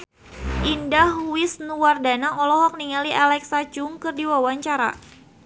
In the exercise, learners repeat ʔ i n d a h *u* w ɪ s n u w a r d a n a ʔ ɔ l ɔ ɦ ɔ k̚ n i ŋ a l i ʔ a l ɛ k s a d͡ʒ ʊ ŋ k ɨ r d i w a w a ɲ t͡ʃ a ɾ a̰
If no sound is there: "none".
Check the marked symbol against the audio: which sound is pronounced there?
u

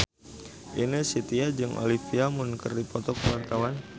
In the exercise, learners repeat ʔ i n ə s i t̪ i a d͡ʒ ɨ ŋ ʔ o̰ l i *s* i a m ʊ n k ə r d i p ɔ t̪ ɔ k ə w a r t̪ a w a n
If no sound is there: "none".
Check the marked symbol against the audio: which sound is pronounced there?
f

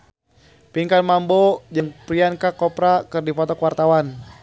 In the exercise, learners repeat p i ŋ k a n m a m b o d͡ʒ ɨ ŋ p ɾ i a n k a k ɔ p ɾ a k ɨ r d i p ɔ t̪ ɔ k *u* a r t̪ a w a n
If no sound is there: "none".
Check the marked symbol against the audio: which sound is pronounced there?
w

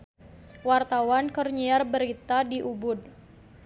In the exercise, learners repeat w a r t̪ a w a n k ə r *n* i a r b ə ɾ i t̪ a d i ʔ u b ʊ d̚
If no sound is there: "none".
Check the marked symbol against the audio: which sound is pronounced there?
ɲ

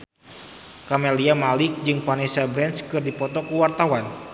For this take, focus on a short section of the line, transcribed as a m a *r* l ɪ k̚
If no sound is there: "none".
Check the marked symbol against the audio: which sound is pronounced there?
none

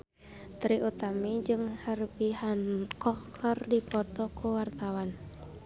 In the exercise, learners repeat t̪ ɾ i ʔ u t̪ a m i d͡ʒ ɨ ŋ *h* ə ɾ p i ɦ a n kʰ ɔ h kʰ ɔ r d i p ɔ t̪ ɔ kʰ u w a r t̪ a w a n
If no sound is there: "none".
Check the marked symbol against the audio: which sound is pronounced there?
h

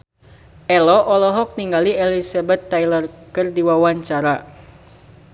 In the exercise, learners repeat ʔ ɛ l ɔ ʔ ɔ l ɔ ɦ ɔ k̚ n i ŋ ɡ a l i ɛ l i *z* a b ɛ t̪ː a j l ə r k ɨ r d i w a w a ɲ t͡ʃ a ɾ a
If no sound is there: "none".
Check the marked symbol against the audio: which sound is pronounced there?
s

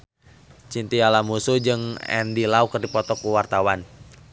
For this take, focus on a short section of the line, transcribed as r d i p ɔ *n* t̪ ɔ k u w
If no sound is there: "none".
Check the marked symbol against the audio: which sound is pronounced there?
none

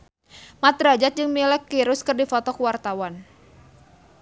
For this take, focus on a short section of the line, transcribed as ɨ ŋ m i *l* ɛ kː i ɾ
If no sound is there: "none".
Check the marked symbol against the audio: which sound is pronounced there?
l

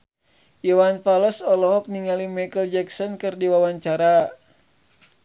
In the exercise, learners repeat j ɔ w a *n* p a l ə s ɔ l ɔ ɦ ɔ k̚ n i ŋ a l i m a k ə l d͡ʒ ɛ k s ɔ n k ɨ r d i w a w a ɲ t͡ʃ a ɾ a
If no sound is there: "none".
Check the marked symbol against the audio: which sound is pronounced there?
n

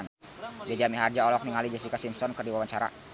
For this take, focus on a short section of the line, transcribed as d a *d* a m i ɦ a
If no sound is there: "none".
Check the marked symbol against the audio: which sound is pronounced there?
d͡ʒ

